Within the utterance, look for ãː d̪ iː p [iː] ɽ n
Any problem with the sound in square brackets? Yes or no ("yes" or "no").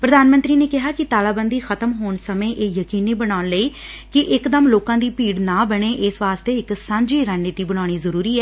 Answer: no